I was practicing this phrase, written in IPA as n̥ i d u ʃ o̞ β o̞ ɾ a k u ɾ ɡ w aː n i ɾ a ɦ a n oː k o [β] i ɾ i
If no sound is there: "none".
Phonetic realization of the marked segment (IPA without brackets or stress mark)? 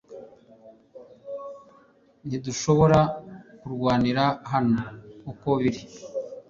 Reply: β